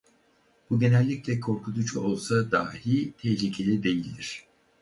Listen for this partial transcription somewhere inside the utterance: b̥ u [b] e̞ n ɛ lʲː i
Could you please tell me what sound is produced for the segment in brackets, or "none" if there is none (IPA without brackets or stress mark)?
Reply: ɟ